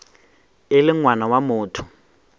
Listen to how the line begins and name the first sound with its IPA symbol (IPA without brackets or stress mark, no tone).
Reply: ɪ